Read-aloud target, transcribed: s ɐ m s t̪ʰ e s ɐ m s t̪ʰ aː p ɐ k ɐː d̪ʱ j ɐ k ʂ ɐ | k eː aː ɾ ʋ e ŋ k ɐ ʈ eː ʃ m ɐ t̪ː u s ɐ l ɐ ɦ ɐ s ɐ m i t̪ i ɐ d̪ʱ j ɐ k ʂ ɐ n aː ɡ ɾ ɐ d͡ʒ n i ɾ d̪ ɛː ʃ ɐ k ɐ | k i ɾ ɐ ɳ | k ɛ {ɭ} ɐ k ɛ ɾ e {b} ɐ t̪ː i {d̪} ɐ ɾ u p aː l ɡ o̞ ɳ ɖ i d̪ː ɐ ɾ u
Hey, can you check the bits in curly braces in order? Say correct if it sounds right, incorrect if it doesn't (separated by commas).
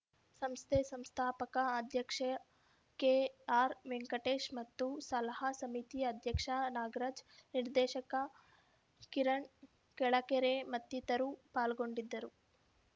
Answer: correct, incorrect, incorrect